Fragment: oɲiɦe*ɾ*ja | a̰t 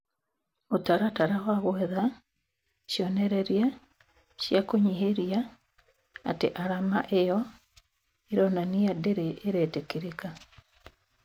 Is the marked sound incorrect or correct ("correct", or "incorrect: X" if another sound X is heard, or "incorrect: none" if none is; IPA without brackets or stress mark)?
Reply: correct